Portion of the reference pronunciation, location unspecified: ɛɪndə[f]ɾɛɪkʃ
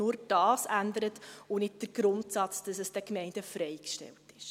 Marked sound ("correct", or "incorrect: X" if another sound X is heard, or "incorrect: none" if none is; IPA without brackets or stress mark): correct